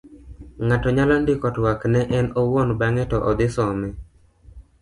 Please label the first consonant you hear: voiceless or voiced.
voiced